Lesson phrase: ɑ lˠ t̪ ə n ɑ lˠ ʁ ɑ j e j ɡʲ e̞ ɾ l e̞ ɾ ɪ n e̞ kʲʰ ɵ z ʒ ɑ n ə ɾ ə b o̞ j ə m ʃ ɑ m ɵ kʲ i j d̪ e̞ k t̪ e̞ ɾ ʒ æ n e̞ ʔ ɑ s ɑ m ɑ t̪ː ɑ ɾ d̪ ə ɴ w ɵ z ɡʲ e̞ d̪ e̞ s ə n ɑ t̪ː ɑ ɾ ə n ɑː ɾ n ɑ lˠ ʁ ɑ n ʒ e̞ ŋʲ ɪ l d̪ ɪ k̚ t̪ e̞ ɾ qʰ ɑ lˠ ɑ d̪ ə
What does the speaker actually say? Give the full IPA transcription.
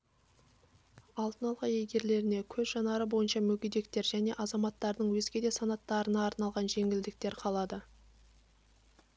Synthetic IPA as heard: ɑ lˠ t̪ ə n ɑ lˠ ʁ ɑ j e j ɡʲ e̞ ɾ l e̞ ɾ ɪ n e̞ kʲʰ ɵ z ʒ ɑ n ɑ ɾ ə b o̞ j ə n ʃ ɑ m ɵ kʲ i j d̪ e̞ k t̪ e̞ ɾ ʒ æ n e̞ ʔ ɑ z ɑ m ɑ t̪ː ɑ ɾ d̪ ə ɴ w ɵ z ɡʲ e̞ d̪ e̞ s ɑ n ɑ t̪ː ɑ ɾ ə n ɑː ɾ n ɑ lˠ ʁ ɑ n ʒ e̞ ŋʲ ɪ l d̪ ɪ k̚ t̪ e̞ ɾ qʰ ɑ lˠ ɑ d̪ ə